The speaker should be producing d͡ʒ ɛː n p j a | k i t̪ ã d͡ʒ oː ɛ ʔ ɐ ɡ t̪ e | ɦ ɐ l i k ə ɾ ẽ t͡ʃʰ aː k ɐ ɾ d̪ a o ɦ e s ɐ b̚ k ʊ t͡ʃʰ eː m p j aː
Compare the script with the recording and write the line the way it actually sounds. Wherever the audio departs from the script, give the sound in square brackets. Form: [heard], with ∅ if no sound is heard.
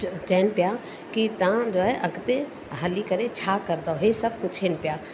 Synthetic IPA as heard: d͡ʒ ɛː n p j a | k i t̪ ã d͡ʒ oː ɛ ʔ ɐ ɡ t̪ e | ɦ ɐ l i k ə ɾ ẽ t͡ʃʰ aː k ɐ ɾ d̪ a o ɦ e s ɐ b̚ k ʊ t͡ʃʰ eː [n] p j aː